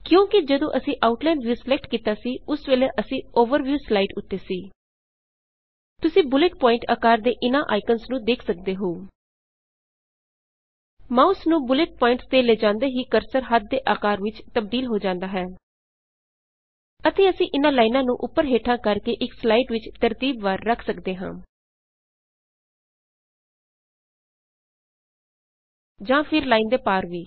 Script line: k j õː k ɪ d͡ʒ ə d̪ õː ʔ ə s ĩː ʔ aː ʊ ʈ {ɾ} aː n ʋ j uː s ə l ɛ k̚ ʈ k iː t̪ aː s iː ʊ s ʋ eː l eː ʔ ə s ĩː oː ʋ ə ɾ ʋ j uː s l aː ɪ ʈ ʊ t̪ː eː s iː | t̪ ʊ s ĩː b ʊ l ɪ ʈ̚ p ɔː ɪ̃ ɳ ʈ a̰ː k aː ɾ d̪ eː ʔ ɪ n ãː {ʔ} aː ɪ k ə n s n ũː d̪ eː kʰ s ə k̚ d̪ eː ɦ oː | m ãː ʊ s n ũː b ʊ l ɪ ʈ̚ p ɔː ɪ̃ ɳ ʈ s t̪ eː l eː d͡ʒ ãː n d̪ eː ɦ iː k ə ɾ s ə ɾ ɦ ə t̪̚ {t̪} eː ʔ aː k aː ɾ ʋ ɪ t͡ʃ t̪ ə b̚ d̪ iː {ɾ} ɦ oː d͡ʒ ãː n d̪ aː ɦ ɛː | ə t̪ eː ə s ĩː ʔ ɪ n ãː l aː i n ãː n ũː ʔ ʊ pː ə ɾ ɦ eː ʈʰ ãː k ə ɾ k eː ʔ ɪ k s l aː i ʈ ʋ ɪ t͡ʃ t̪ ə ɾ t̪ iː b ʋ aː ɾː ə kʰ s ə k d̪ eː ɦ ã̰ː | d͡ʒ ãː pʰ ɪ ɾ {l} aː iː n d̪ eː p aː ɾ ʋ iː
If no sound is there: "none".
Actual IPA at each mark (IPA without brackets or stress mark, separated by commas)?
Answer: l, ʔ, d̪, l, l